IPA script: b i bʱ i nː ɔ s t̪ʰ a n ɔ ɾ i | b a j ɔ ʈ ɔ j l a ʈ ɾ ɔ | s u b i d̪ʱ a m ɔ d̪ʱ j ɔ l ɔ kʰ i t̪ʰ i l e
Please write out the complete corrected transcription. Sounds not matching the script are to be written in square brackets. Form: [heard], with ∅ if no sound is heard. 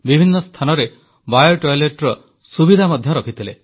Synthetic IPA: b i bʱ i nː ɔ s t̪ʰ a n ɔ ɾ [e] | b a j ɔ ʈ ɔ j l [e] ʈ ɾ ɔ | s u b i d̪ʱ a m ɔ d̪ʱ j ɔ [ɾ] ɔ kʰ i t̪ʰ i l e

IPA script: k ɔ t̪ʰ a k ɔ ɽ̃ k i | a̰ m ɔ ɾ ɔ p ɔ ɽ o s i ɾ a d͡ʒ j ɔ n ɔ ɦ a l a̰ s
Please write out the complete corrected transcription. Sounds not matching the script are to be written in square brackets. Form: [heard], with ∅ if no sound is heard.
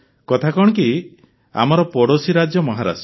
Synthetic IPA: k ɔ t̪ʰ a k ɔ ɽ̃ k i | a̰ m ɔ ɾ ɔ p ɔ ɽ o s i ɾ a d͡ʒ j ɔ [m] ɔ ɦ a [ɾ] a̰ s

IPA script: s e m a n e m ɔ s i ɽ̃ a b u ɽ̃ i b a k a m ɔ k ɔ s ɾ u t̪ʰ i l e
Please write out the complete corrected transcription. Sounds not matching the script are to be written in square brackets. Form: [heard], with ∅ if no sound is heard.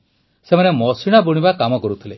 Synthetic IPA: s e m a n e m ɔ s i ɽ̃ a b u ɽ̃ i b a k a m ɔ k ɔ [∅] ɾ u t̪ʰ i l e

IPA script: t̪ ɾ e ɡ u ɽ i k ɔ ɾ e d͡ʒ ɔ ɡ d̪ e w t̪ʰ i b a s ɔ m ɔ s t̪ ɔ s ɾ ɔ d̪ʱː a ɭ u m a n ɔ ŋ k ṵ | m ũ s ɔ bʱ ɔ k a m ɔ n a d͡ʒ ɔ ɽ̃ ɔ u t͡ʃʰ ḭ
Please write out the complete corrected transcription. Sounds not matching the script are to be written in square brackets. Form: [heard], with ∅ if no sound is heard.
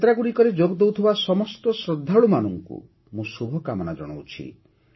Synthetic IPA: t̪ ɾ [a] ɡ u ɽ i k ɔ ɾ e d͡ʒ [o] ɡ d̪ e w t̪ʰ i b a s ɔ m ɔ s t̪ ɔ s ɾ ɔ d̪ʱː a ɭ u m a n ɔ ŋ k ṵ | m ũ s [u] bʱ ɔ k a m ɔ n a d͡ʒ ɔ ɽ̃ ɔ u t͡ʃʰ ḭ

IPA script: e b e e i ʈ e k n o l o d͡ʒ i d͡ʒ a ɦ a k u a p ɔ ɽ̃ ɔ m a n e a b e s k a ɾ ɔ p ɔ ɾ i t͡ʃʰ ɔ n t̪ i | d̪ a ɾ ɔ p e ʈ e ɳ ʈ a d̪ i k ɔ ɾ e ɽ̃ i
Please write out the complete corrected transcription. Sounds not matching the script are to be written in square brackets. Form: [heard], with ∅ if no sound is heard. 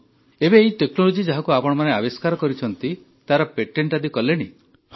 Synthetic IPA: e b e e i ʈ e k n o l o d͡ʒ i d͡ʒ a ɦ a k u a p ɔ ɽ̃ ɔ m a n e a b e s k a ɾ ɔ [k] ɔ ɾ i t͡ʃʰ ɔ n t̪ i | [t̪] a ɾ ɔ p e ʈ e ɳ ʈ a d̪ i k ɔ [l] e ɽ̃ i

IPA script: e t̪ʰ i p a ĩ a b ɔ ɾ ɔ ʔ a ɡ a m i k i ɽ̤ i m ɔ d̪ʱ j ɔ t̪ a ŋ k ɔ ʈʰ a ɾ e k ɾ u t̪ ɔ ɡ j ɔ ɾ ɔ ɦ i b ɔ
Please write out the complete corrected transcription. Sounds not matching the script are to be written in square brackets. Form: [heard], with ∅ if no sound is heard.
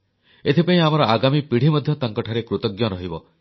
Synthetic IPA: e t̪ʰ i p a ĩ a [m] ɔ ɾ ɔ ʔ a ɡ a m i [p] i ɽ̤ i m ɔ d̪ʱ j ɔ t̪ a ŋ k ɔ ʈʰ a ɾ e k ɾ u t̪ ɔ ɡ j ɔ ɾ ɔ ɦ i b ɔ

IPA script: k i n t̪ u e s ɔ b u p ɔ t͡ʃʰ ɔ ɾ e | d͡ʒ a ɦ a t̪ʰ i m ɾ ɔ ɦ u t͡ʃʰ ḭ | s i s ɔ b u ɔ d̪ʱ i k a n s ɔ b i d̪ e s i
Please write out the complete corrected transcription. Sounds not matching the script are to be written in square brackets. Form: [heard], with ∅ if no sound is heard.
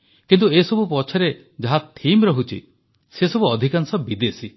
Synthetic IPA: k i n t̪ u e s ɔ b u p ɔ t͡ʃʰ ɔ ɾ e | d͡ʒ a ɦ a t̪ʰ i m ɾ ɔ ɦ u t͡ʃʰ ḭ | s [e] s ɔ b u ɔ d̪ʱ i k a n s ɔ b i d̪ e s i

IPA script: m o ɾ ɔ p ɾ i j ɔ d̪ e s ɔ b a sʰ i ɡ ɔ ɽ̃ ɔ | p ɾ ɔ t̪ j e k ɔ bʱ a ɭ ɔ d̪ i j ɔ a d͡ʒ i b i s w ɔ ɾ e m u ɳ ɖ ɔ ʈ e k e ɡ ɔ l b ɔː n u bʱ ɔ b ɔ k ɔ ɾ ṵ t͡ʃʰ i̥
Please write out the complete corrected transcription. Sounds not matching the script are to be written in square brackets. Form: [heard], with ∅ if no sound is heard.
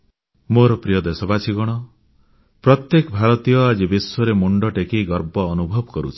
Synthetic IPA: m o ɾ ɔ p ɾ i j ɔ d̪ e s ɔ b a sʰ i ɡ ɔ ɽ̃ ɔ | p ɾ ɔ t̪ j e k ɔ bʱ a ɭ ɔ [t̪] i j ɔ a d͡ʒ i b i s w ɔ ɾ e m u ɳ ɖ ɔ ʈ e k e ɡ ɔ [ɾ] b ɔː n u bʱ ɔ b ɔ k ɔ ɾ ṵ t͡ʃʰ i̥

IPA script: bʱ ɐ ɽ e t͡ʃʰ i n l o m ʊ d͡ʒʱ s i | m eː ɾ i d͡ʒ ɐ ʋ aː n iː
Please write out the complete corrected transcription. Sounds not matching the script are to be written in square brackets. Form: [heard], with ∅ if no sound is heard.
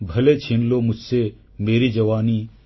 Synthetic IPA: bʱ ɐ [l] e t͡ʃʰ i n l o m ʊ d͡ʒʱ s [e] | m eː ɾ i d͡ʒ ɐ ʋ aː n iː

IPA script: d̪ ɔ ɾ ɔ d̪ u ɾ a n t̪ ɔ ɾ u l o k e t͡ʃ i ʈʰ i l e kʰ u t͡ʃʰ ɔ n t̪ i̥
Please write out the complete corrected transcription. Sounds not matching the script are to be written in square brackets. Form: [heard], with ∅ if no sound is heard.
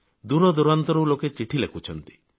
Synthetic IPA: d̪ [u] ɾ ɔ d̪ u ɾ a n t̪ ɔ ɾ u l o k e t͡ʃ i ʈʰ i l e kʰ u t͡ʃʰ ɔ n t̪ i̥

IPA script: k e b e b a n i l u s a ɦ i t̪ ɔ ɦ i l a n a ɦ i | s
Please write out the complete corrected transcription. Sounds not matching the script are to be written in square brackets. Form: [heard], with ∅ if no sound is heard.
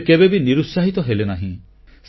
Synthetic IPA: k e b e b [i] n i [ɾ] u s a ɦ i t̪ ɔ ɦ [e] l [e] n a ɦ [ĩ] | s

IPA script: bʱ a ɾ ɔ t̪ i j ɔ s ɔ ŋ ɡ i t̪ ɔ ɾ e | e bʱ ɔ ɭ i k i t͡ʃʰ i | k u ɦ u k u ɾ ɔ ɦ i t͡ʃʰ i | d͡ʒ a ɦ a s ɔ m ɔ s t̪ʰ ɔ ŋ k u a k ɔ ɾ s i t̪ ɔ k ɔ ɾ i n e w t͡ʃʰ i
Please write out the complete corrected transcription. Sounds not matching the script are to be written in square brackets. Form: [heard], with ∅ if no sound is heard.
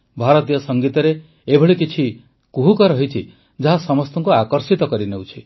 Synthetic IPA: bʱ a ɾ ɔ t̪ i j ɔ s ɔ ŋ ɡ i t̪ ɔ ɾ e | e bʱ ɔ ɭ i k i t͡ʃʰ i | k u ɦ u k [ɔ] ɾ ɔ ɦ i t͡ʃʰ i | d͡ʒ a ɦ a s ɔ m ɔ s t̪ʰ ɔ ŋ k u a k ɔ ɾ s i t̪ ɔ k ɔ ɾ i n e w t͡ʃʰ i

